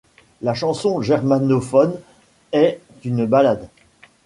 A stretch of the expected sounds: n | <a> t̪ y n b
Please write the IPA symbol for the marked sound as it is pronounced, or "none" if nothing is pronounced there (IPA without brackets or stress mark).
ɛ